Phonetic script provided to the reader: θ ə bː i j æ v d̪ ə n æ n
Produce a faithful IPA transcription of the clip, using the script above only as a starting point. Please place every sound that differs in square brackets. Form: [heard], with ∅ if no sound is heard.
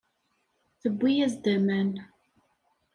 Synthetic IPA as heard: θ ə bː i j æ [z] d̪ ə [m] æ n